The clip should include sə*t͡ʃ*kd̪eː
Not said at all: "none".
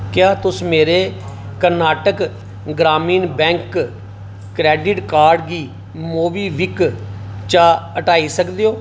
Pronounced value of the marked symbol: none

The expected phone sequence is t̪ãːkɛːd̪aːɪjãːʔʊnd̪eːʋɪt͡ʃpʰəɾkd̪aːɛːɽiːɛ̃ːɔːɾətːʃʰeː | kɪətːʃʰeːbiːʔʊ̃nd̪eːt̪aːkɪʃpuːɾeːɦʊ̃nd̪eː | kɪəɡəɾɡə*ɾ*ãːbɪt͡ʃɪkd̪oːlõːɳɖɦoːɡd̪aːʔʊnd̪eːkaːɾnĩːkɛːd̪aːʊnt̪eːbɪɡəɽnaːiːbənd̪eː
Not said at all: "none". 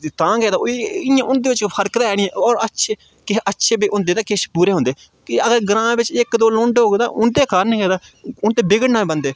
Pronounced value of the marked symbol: ɾ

